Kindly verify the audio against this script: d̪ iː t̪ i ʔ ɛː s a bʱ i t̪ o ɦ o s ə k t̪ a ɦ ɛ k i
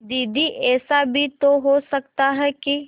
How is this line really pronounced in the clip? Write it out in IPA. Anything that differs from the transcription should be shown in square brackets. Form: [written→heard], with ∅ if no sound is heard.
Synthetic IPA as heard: d̪ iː [t̪→d̪] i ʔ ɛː s a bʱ i t̪ o ɦ o s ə k t̪ a ɦ ɛ k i